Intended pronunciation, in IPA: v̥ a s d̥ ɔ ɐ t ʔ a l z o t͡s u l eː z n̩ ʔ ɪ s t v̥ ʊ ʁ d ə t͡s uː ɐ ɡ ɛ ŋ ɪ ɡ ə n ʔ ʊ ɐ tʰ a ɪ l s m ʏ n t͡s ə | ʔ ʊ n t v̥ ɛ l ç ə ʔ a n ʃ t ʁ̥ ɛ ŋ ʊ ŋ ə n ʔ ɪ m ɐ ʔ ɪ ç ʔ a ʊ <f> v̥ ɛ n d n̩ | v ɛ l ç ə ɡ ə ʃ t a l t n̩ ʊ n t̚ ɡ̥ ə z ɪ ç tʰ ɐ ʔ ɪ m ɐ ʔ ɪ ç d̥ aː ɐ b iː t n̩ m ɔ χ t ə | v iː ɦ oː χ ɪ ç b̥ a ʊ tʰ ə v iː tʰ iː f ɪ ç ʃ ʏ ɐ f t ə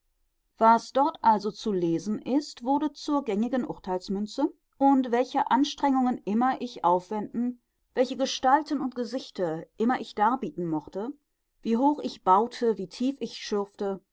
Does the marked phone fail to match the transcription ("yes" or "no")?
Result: no